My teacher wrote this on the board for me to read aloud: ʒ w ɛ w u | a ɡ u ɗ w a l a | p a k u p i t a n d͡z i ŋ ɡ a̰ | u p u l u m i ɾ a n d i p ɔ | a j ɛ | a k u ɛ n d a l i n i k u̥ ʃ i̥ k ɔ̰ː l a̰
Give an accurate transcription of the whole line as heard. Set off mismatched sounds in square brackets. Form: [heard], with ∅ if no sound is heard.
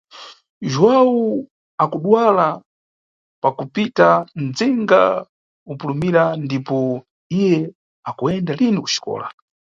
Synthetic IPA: ʒ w [a] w u | a [k] u ɗ w a l a | p a k u p i t a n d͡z i ŋ ɡ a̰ | u p u l u m i ɾ a n d i p ɔ | [i] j ɛ | a k u ɛ n d a l i n i k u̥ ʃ i̥ k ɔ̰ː l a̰